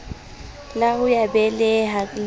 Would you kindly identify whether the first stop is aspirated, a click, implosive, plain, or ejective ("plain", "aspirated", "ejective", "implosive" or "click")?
plain